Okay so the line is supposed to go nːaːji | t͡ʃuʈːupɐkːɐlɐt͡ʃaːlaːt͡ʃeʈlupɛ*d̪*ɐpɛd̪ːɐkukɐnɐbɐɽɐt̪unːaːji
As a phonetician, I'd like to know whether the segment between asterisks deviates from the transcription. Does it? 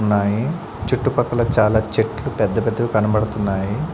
yes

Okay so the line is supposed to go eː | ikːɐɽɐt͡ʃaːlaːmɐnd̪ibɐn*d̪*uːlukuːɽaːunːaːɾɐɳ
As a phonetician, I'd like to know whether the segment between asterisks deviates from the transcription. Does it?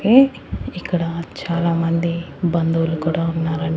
no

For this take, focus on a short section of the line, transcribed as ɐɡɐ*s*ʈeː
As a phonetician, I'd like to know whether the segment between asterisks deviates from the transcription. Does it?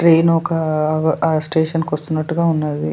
no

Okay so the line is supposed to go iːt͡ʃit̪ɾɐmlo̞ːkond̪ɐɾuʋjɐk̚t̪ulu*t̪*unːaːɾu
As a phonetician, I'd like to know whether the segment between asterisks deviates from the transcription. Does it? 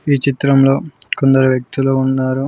yes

